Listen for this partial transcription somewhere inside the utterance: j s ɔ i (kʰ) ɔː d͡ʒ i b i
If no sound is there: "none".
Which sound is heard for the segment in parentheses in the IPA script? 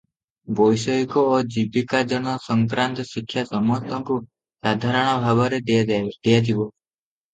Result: k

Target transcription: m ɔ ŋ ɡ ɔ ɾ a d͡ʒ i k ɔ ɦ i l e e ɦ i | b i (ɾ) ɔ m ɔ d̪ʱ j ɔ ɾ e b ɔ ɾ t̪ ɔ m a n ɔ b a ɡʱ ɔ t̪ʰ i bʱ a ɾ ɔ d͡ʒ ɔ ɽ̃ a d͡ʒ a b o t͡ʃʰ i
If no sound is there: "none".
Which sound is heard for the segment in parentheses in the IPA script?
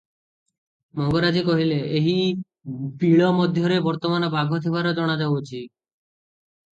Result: ɭ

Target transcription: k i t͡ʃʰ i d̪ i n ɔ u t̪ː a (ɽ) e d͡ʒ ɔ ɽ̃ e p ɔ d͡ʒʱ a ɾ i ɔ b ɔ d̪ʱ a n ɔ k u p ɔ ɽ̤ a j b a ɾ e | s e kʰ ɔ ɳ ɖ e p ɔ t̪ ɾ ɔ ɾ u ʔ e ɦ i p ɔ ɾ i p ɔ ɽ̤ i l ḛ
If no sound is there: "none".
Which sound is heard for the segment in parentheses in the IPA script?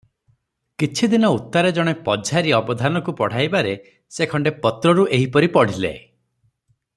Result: ɾ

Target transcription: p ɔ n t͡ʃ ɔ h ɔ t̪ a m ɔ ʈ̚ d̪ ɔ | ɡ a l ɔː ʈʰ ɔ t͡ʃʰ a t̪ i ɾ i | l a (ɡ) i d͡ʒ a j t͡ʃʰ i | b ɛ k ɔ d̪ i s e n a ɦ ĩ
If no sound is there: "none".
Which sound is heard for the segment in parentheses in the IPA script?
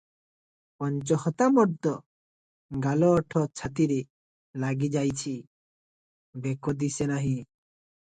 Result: ɡ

